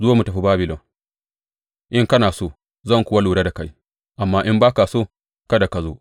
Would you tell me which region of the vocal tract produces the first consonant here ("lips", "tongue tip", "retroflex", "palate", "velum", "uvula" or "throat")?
tongue tip